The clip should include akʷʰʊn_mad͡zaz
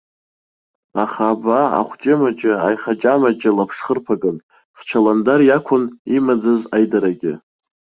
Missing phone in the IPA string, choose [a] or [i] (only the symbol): i